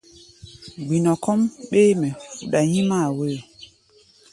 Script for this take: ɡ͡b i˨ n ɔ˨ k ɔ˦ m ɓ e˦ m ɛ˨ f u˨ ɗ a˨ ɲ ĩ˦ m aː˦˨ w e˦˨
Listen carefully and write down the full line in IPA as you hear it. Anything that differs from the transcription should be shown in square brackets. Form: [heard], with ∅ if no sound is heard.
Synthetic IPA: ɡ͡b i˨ n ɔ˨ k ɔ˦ m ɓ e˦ m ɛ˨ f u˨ ɗ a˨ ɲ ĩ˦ m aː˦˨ w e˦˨